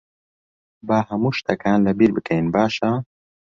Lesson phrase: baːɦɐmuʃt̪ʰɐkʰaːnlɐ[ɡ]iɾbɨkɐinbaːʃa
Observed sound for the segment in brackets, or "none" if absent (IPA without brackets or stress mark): b